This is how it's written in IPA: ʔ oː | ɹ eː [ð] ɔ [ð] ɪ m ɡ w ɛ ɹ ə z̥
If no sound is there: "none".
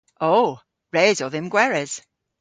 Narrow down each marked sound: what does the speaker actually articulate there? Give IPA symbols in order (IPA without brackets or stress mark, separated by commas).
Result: z, ð